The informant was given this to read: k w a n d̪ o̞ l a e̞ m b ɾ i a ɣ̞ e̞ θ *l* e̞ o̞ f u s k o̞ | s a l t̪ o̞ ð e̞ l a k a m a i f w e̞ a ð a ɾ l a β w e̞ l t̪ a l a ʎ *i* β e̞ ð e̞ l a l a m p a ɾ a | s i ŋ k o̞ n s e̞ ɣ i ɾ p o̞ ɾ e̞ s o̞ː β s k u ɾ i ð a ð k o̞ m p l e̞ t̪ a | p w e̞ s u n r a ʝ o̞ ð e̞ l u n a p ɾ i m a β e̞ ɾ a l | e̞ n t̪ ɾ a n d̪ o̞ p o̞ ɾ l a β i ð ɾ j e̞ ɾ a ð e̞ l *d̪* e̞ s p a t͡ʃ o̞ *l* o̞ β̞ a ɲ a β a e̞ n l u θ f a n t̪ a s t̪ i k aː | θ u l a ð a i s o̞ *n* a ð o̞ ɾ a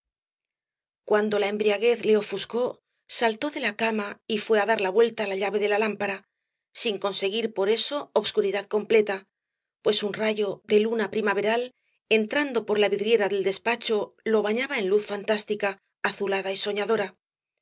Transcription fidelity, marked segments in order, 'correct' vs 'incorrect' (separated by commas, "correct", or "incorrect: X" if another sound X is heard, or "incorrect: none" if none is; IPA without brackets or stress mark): correct, incorrect: a, correct, correct, incorrect: ɲ